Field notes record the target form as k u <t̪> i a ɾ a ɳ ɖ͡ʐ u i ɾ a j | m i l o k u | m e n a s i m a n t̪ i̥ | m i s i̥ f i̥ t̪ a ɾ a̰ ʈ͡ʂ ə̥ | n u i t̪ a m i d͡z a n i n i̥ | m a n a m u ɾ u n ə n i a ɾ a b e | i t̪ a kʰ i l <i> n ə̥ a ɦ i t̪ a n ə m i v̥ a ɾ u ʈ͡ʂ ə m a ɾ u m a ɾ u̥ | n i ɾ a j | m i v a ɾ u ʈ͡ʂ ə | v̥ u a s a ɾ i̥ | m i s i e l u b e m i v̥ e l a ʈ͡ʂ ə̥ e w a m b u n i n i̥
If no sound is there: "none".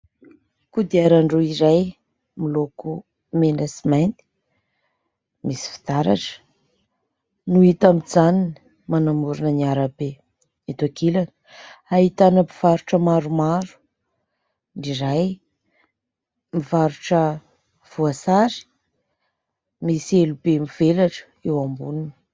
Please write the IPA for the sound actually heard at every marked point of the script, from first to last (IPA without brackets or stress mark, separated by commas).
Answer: d̪, a